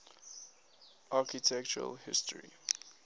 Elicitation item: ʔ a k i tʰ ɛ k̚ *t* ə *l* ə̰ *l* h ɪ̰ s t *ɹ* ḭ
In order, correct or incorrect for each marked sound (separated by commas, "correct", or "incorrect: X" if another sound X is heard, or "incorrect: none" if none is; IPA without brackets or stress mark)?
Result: incorrect: t͡ʃ, incorrect: ɹ, correct, correct